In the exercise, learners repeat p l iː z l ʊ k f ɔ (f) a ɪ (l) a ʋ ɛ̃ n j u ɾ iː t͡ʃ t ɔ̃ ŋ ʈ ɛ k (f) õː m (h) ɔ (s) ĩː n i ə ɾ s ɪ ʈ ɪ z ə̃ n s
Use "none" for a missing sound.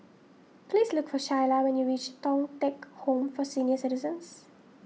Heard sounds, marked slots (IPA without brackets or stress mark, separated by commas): ʃ, l, h, f, s